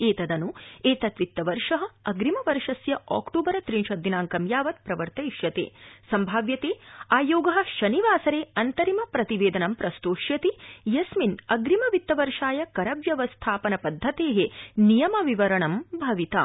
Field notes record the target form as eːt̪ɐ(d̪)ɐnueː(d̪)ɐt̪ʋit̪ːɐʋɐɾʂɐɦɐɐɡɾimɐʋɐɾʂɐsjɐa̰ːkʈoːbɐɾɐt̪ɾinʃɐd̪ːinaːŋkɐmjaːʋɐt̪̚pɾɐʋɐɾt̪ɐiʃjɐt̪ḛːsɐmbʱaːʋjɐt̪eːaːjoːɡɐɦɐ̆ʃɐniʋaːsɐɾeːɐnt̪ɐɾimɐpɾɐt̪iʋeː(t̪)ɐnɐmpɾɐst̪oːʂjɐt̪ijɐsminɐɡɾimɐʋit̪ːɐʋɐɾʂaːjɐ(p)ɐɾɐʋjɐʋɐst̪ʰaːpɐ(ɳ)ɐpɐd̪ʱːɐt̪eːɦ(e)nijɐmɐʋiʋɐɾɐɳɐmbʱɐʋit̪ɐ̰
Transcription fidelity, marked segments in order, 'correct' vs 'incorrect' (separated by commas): correct, incorrect, incorrect, incorrect, incorrect, correct